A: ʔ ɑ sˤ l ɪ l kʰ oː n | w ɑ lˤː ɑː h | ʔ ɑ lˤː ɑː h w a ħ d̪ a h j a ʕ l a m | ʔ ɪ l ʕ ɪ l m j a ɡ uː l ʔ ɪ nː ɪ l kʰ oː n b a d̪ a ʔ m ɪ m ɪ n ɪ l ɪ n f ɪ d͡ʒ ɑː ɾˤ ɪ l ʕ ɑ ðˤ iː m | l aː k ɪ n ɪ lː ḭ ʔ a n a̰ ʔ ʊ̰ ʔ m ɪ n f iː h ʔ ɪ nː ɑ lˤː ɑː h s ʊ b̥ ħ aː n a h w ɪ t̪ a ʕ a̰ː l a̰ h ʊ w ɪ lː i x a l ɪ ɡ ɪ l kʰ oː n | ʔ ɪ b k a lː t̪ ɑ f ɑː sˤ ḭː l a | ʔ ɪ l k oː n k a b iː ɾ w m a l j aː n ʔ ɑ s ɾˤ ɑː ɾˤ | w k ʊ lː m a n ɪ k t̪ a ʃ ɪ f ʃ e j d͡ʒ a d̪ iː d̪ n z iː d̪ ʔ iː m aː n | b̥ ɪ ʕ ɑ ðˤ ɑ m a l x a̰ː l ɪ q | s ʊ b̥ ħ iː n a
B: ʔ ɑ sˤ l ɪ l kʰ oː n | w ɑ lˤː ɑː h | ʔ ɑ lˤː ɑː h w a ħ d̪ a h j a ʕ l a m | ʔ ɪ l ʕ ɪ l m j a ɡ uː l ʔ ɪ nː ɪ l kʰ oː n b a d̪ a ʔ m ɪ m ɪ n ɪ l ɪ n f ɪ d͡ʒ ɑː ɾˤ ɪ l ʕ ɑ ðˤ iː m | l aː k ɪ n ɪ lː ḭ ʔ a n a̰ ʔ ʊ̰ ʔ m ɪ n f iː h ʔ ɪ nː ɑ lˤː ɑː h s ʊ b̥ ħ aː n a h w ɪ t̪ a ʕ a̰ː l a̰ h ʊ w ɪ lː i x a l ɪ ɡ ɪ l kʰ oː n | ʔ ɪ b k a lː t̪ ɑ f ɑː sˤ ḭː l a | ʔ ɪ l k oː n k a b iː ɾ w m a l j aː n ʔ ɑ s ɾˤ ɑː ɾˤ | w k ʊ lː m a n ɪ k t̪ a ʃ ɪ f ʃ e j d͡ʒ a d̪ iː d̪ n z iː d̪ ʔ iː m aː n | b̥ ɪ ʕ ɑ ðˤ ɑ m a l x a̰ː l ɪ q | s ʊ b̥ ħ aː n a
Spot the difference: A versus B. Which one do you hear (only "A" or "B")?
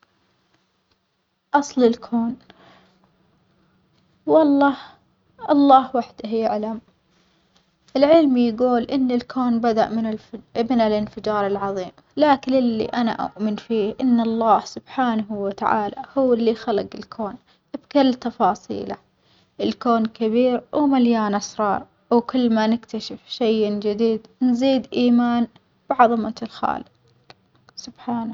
B